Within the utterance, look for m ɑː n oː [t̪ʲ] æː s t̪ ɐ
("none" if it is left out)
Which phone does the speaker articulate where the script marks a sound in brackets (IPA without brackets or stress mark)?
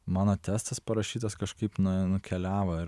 t̪ʲ